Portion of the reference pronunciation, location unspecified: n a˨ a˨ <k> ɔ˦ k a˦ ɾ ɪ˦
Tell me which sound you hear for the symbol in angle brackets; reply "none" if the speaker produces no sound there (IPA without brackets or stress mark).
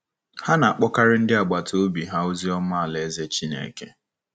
k͡p